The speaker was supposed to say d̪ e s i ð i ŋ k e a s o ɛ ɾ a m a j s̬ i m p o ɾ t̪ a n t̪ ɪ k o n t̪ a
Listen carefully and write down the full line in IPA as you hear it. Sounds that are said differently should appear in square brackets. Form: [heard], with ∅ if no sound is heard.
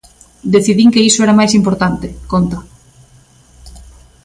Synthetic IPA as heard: d̪ e [θ] i ð i ŋ k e [i] s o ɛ ɾ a m a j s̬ i m p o ɾ t̪ a n t̪ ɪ k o n t̪ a